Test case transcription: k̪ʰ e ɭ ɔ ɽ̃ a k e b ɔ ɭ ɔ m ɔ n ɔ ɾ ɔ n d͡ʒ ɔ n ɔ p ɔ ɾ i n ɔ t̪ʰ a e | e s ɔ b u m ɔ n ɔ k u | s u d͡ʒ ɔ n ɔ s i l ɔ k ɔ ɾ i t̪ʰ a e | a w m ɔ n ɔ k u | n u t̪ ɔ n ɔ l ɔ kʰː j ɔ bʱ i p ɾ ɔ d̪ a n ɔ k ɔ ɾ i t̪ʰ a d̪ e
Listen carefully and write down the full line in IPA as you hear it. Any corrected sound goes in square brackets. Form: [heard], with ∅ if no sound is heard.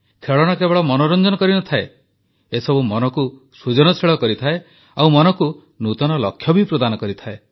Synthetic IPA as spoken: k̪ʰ e ɭ ɔ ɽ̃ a k e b ɔ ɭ ɔ m ɔ n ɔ ɾ ɔ n d͡ʒ ɔ n ɔ [k] ɔ ɾ i n ɔ t̪ʰ a e | e s ɔ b u m ɔ n ɔ k u | s u d͡ʒ ɔ n ɔ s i [ɭ] ɔ k ɔ ɾ i t̪ʰ a e | a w m ɔ n ɔ k u | n u t̪ ɔ n ɔ l ɔ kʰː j ɔ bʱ i p ɾ ɔ d̪ a n ɔ k ɔ ɾ i t̪ʰ a [∅] e